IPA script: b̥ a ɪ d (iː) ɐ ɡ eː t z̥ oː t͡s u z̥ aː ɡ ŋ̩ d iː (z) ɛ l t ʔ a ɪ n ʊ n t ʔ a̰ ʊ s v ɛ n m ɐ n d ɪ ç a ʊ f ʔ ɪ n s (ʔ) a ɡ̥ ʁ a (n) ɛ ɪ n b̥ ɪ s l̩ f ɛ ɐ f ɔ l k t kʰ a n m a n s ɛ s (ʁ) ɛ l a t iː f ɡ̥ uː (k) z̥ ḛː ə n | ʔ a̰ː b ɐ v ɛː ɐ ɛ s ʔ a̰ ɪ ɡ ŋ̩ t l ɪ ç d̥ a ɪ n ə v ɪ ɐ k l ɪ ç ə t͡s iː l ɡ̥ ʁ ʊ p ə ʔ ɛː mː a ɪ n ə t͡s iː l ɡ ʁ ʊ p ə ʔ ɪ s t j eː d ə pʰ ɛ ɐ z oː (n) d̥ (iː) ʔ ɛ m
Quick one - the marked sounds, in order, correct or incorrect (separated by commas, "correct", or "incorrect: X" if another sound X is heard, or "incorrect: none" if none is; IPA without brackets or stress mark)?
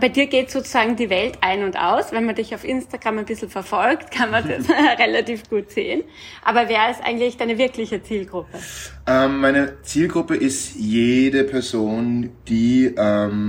correct, incorrect: v, incorrect: t, incorrect: m, correct, incorrect: t, correct, correct